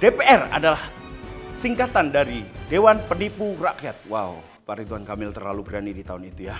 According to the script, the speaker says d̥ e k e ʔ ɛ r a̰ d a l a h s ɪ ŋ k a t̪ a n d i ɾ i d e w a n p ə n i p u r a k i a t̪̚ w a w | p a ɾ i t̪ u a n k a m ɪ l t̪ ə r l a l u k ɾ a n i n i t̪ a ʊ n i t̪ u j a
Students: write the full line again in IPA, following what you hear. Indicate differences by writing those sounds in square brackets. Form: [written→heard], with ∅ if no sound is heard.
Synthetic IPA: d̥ e [k→p] e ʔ ɛ r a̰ d a l a h s [ɪ→i] ŋ k a t̪ a n d [i→a] ɾ i d e w a n p ə n i p u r a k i a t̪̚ w a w | p a ɾ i t̪ u a n k a m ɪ l t̪ ə r l a l u [k→ɡ] ɾ a n i [n→d] i t̪ a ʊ n i t̪ u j a